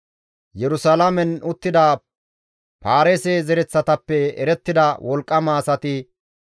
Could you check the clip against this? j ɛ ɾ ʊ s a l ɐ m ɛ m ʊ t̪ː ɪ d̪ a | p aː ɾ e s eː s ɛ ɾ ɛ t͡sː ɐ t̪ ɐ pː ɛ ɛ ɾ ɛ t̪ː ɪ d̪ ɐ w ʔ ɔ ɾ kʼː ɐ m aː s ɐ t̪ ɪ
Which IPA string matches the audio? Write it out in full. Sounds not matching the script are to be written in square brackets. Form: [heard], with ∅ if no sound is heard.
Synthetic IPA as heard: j ɛ ɾ ʊ s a l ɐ m ɛ [n] ʊ t̪ː ɪ d̪ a | p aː ɾ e s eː [z] ɛ ɾ ɛ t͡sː ɐ t̪ ɐ pː ɛ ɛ ɾ ɛ t̪ː ɪ d̪ ɐ w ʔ ɔ [l] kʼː ɐ m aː s ɐ t̪ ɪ